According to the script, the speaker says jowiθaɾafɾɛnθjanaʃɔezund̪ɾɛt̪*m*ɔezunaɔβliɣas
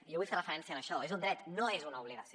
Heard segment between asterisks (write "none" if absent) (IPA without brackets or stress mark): n